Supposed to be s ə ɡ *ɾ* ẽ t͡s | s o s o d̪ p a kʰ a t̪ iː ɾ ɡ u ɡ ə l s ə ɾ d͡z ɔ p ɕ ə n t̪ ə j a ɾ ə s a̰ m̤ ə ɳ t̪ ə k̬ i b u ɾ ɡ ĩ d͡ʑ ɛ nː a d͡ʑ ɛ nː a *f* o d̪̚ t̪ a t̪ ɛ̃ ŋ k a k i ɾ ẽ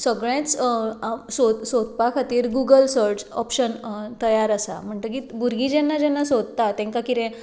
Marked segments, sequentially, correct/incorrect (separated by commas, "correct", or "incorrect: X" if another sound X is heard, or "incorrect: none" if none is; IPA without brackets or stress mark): incorrect: ɭ, incorrect: s